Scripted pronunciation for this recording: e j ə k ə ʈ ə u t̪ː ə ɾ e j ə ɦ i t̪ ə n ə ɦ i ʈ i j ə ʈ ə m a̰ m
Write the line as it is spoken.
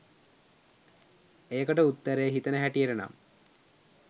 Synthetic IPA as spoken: e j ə k ə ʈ ə u t̪ː ə ɾ e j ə ɦ i t̪ ə n ə ɦ æ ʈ i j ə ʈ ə n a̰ m